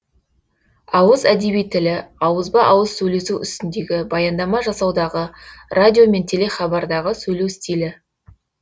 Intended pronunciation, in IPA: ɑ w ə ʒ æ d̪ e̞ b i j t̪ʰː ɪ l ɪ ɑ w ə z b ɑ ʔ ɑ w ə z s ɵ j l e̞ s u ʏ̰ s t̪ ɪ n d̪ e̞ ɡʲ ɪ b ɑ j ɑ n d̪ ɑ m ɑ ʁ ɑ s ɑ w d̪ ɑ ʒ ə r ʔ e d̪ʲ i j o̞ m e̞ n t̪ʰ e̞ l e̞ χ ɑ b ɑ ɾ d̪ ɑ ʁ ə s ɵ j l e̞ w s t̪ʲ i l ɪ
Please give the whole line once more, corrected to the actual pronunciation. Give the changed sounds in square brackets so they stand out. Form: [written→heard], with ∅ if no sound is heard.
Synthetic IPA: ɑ w ə [ʒ→z] æ d̪ e̞ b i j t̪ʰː ɪ l ɪ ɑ w ə z b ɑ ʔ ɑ w ə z s ɵ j l e̞ s u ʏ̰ s t̪ ɪ n d̪ e̞ ɡʲ ɪ b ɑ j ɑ n d̪ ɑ m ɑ [ʁ→ʒ] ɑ s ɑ w d̪ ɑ [ʒ→ʁ] ə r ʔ [e→a] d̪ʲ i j o̞ m e̞ n t̪ʰ e̞ l e̞ χ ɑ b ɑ ɾ d̪ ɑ ʁ ə s ɵ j l e̞ w s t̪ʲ i l ɪ